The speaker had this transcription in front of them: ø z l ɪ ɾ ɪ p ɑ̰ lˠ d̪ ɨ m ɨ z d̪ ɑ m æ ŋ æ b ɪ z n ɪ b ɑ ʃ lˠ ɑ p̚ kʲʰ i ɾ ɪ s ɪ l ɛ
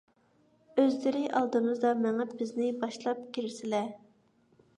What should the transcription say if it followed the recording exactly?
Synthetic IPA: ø z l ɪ ɾ ɪ ʔ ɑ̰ lˠ d̪ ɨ m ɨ z d̪ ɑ m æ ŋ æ b ɪ z n ɪ b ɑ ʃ lˠ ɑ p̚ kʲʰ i ɾ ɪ s ɪ l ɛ